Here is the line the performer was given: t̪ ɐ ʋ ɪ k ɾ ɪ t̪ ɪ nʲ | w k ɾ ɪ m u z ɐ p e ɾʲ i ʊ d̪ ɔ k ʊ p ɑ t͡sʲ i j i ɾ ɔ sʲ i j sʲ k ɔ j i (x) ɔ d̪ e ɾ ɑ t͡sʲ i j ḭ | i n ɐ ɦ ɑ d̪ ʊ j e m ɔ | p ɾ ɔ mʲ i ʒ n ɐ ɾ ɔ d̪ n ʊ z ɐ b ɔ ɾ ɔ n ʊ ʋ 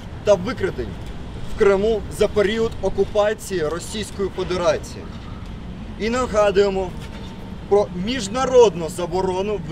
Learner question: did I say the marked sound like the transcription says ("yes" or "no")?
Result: no